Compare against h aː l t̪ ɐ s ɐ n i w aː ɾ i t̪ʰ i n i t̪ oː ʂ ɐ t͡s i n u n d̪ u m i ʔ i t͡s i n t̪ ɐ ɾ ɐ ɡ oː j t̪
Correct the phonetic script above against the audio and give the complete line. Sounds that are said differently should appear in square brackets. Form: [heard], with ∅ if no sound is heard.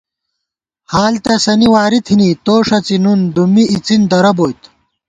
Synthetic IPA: h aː l t̪ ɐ s ɐ n i w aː ɾ i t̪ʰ i n i t̪ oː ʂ ɐ t͡s i n u n d̪ u m i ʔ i t͡s i n [d̪] ɐ ɾ ɐ [b] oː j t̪